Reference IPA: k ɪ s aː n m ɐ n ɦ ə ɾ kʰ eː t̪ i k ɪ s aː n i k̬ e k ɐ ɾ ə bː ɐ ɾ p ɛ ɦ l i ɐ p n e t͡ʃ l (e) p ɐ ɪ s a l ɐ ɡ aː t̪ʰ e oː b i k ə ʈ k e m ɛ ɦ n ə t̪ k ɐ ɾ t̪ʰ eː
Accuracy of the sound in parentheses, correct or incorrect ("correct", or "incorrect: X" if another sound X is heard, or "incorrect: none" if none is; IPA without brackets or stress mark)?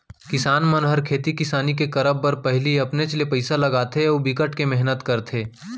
correct